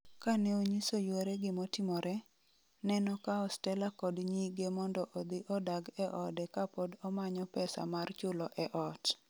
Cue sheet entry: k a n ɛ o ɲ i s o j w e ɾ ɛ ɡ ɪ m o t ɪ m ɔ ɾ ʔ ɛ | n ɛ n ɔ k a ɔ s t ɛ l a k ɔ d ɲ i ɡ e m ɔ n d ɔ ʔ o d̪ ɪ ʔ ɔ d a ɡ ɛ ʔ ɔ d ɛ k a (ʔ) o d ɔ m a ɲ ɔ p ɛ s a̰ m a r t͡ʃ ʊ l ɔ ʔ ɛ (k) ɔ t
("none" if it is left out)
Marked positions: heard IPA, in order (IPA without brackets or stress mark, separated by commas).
p, ʔ